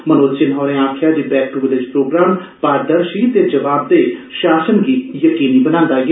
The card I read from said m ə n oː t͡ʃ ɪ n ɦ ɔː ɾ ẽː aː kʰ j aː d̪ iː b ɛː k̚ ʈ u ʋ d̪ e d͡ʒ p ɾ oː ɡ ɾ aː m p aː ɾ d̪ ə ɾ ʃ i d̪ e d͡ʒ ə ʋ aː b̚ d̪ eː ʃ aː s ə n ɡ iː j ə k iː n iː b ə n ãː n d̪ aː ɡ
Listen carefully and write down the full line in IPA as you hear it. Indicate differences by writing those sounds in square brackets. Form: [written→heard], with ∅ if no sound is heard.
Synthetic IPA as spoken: m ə n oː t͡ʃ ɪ n ɦ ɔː ɾ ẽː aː kʰ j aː d̪ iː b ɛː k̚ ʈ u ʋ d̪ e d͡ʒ p ɾ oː ɡ ɾ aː m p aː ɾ d̪ ə ɾ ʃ i [d̪→t̪] e d͡ʒ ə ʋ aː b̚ d̪ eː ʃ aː s ə n ɡ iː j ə k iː n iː b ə n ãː n d̪ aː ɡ